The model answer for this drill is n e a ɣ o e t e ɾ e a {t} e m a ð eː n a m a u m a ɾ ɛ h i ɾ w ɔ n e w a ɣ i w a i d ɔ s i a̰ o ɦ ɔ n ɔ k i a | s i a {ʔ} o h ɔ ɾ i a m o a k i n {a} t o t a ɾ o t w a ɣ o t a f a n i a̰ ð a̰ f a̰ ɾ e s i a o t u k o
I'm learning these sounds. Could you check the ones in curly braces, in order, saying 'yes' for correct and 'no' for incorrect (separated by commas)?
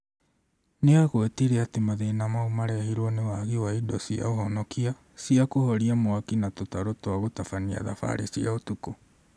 yes, no, yes